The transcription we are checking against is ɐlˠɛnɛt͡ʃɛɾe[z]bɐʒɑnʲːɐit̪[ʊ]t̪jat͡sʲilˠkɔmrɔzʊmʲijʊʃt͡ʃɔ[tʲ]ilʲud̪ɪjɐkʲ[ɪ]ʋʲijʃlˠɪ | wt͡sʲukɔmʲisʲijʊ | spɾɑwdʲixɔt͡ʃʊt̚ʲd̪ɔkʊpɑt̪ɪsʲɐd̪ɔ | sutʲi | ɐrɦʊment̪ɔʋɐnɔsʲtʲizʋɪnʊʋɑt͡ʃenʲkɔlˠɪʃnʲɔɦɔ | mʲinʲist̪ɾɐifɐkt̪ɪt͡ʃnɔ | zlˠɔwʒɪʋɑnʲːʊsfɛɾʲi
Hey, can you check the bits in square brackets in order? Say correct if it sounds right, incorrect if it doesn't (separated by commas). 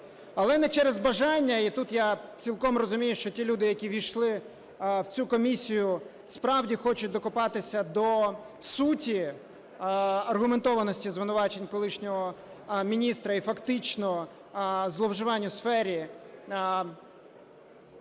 correct, incorrect, correct, incorrect